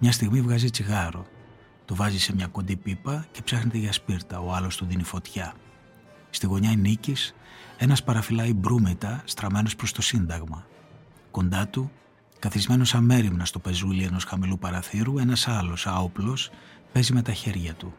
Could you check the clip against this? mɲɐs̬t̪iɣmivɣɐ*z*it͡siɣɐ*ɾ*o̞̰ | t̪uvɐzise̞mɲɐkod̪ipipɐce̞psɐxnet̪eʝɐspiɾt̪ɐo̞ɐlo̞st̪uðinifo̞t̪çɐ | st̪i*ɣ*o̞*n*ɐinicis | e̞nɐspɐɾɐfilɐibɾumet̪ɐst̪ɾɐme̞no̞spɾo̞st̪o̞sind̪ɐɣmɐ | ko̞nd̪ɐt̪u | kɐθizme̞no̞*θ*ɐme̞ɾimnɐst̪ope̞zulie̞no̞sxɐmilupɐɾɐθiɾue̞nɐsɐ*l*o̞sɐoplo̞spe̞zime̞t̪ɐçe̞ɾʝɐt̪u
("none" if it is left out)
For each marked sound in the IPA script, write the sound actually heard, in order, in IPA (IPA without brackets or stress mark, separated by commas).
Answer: z, ɾ, ɣ, ɲ, s, l